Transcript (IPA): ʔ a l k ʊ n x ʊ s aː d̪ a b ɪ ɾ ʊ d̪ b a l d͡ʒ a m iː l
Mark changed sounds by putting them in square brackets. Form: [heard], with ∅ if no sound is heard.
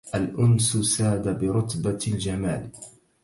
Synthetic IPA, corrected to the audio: ʔ a l [ʔ] ʊ n [s] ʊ s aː d̪ a b ɪ ɾ ʊ [t̪] b a l d͡ʒ a m [aː] l

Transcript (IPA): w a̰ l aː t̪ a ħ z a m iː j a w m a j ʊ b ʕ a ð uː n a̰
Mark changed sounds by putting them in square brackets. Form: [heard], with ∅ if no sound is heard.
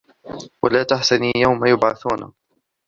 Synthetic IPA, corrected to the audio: w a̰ l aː t̪ a ħ [s] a [n] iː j a w m a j ʊ b ʕ a [θ] uː n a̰

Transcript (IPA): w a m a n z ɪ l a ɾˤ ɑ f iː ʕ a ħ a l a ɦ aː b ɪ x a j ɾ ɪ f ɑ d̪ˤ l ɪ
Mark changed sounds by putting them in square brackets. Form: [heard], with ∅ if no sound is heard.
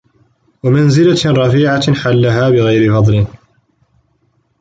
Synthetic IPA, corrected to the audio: w a m a n z ɪ l a ɾˤ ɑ f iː ʕ a ħ a [lː] a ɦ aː b ɪ [ɣ] a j ɾ ɪ f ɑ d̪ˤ l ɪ

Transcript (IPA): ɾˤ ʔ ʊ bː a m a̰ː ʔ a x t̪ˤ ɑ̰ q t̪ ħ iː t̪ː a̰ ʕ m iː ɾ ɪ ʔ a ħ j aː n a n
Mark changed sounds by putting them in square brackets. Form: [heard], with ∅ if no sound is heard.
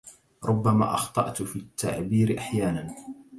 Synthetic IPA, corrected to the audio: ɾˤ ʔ ʊ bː a m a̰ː ʔ [ɑ] x t̪ˤ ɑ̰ [ʔ] t̪ [f] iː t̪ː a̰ ʕ [b] iː ɾ ɪ ʔ a ħ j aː n a n

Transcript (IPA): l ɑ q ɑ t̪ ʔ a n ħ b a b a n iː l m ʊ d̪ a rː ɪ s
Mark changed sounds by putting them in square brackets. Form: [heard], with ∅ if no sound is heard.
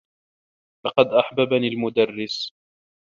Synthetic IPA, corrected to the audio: l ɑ q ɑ [d̪] ʔ a [∅] ħ b a b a n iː l m ʊ d̪ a rː ɪ s

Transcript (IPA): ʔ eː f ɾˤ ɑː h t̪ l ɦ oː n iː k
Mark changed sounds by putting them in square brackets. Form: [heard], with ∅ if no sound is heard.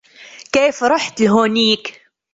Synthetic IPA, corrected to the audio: [k] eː f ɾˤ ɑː [ħ] t̪ l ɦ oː n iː k

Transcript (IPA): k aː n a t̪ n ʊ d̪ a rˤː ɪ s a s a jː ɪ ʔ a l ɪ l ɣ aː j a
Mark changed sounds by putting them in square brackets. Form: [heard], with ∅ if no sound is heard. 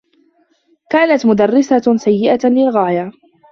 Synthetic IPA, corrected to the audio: k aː n a t̪ [m] ʊ d̪ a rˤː ɪ s a s a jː ɪ ʔ a l ɪ l ɣ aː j a

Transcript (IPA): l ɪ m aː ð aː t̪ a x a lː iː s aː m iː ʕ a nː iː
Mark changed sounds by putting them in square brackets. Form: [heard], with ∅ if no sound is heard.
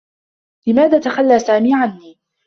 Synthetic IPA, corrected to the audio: l ɪ m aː ð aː t̪ a x a lː [aː] s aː m iː ʕ a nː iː

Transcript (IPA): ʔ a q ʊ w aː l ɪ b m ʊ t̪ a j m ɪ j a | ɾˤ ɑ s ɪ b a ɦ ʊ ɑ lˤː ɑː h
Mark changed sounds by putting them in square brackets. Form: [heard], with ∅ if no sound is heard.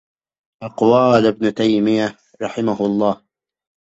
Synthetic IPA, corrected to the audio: ʔ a q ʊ w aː l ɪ b [n] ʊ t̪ a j m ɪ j a | ɾˤ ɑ [ħ] ɪ [m] a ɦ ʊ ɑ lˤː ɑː h

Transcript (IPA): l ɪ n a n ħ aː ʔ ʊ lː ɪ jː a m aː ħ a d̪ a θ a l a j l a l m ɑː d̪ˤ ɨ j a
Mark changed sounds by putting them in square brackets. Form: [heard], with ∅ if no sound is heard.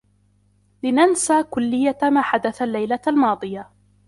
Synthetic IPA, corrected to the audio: l ɪ n a n [s] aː [k] ʊ lː ɪ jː a m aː ħ a d̪ a θ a [lː] a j l a l m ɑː d̪ˤ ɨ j a

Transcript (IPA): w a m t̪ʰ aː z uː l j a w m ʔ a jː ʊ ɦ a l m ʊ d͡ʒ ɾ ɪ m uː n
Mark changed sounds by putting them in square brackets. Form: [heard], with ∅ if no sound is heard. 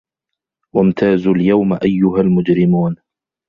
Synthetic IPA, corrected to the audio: w a m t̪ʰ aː z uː l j a w m ʔ a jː ʊ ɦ a l m ʊ d͡ʒ ɾ ɪ m uː n

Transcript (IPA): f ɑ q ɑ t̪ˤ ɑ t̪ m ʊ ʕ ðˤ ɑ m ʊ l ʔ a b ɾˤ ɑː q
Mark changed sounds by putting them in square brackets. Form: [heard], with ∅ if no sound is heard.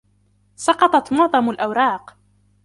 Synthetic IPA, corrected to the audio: [s] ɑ q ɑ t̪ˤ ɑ t̪ m ʊ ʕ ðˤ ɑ m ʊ l ʔ a [w] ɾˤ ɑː q

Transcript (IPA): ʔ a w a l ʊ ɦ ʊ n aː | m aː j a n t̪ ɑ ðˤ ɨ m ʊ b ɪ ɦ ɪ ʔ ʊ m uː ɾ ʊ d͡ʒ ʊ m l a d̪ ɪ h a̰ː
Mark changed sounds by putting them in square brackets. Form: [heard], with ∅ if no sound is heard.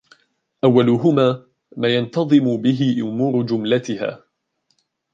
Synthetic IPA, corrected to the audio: ʔ a [wː] a l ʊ ɦ ʊ [m] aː | m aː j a n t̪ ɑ ðˤ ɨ m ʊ b ɪ ɦ ɪ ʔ ʊ m uː ɾ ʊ d͡ʒ ʊ m l a [t̪] ɪ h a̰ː

